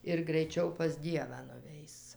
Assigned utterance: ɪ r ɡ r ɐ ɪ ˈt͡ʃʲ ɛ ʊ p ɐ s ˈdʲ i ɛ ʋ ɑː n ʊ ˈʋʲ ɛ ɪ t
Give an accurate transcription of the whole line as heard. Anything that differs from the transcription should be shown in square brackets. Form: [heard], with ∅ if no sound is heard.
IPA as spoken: ɪ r ɡ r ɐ ɪ ˈt͡ʃʲ ɛ ʊ p ɐ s ˈdʲ i ɛ ʋ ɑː n ʊ ˈʋʲ ɛ ɪ [s]